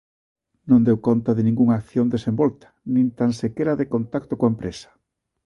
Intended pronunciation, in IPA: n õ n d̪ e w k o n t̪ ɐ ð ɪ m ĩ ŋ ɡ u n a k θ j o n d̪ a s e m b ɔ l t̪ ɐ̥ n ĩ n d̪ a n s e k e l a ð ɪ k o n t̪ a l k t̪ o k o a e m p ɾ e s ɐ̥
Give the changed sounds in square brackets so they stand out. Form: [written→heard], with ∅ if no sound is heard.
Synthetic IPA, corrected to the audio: n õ n d̪ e w k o n t̪ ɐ ð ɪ [m→n] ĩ ŋ ɡ u [n→ŋ] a k θ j o n d̪ [a→e] s e m b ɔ l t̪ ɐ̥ n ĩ n [d̪→t̪] a n s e k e [l→ɾ] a ð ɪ k o n t̪ a [l→∅] k t̪ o k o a e m p ɾ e s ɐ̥